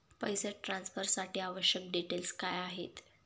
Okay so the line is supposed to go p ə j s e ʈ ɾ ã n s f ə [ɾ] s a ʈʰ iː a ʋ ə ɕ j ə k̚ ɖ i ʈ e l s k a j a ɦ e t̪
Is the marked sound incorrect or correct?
correct